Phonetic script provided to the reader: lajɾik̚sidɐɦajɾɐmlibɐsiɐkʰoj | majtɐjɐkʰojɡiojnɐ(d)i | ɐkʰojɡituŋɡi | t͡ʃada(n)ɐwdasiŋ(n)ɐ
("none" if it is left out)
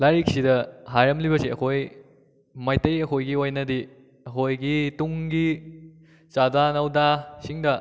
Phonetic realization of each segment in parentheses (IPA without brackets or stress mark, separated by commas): d, n, d